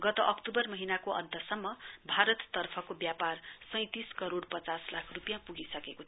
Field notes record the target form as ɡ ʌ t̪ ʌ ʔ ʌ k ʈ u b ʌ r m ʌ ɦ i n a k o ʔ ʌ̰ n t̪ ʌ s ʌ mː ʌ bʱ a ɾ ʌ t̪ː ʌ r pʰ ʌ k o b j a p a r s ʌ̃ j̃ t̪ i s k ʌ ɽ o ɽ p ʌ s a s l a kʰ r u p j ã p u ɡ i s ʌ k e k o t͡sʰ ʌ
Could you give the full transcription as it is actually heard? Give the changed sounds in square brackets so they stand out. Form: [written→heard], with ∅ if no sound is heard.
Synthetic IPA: ɡ ʌ t̪ ʌ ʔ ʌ k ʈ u b ʌ r m ʌ ɦ i n a k o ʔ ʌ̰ n t̪ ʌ s ʌ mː ʌ bʱ a ɾ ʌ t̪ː ʌ r pʰ ʌ k o b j a p a r s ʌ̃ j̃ t̪ i s k ʌ [ɽ→ɾ] o ɽ p ʌ [s→t͡s] a s l a kʰ r u p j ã p u ɡ i s ʌ k e k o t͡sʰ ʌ